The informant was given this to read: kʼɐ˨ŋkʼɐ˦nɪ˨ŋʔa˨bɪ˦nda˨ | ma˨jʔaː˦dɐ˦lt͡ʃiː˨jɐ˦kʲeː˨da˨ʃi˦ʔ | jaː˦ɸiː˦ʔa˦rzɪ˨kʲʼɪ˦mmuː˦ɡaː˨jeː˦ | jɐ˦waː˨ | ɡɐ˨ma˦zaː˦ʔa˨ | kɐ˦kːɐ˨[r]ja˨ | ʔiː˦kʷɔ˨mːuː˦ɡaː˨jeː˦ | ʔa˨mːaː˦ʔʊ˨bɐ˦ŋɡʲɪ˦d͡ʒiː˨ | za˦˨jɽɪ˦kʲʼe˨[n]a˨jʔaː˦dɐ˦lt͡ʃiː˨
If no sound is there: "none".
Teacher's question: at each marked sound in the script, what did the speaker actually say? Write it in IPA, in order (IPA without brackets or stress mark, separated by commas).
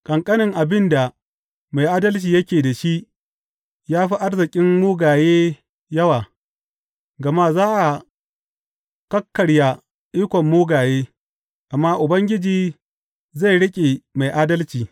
ɽ, m